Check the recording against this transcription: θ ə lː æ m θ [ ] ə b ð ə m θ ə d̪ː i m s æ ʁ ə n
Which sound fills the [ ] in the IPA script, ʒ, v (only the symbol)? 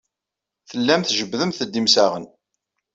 ʒ